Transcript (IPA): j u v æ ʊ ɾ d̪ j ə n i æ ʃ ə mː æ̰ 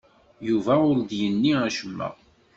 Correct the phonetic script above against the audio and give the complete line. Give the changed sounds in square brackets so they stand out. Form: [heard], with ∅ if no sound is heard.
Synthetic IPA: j u v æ ʊ ɾ d̪ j ə [nː] i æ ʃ ə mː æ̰